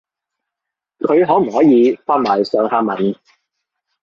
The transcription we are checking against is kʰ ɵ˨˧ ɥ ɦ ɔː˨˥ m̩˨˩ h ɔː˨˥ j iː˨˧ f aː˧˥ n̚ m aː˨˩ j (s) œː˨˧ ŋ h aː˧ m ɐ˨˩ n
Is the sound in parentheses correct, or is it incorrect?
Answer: correct